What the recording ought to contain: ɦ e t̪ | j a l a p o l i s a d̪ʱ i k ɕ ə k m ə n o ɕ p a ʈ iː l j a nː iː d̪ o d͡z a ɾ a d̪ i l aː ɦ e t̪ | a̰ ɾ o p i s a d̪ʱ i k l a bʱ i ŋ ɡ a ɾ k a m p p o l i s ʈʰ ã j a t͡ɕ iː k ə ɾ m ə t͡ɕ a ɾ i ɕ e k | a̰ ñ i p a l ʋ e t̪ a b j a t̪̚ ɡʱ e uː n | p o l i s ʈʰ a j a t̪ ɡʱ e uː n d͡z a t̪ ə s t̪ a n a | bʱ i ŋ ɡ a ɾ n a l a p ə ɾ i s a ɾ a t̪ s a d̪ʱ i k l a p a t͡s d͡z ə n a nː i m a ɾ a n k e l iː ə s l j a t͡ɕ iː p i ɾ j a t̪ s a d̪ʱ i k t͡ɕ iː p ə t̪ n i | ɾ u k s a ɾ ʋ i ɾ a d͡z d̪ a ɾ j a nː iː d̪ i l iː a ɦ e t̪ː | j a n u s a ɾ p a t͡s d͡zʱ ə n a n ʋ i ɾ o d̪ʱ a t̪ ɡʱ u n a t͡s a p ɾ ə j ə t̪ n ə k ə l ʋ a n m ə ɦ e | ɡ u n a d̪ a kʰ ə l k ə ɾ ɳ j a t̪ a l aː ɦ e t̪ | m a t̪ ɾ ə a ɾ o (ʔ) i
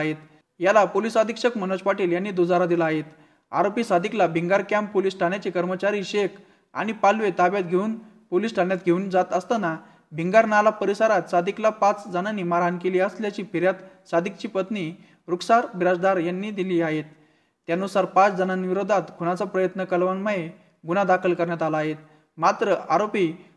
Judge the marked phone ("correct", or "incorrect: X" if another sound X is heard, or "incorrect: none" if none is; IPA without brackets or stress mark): incorrect: p